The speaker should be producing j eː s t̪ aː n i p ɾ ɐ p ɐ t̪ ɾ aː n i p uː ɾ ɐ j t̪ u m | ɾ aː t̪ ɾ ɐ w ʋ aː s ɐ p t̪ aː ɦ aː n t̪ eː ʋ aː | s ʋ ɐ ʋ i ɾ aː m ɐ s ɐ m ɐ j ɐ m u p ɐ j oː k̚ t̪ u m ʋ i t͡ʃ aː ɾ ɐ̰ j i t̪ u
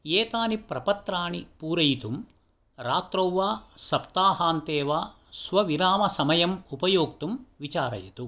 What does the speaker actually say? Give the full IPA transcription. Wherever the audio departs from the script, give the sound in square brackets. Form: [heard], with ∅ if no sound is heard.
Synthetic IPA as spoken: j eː [∅] t̪ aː n i p ɾ ɐ p ɐ t̪ ɾ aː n i p uː ɾ ɐ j t̪ u m | ɾ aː t̪ ɾ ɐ w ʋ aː s ɐ p t̪ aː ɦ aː n t̪ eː ʋ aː | s ʋ ɐ ʋ i ɾ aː m ɐ s ɐ m ɐ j ɐ m u p ɐ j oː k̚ t̪ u m ʋ i t͡ʃ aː ɾ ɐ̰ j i t̪ u